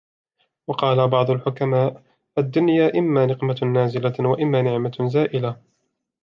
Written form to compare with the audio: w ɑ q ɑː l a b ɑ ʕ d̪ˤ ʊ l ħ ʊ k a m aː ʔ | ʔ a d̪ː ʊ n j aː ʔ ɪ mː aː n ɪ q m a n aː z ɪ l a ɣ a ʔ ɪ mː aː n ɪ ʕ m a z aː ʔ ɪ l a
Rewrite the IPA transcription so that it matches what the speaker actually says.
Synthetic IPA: w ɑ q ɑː l a b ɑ ʕ d̪ˤ ʊ l ħ ʊ k a m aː ʔ | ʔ a d̪ː ʊ n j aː ʔ ɪ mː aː n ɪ q m a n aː z ɪ l a w a ʔ ɪ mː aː n ɪ ʕ m a z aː ʔ ɪ l a